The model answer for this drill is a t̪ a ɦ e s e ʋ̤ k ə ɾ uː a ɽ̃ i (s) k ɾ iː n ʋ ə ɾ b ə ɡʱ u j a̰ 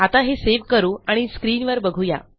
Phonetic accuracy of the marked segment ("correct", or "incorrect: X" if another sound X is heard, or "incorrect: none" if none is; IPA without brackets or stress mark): correct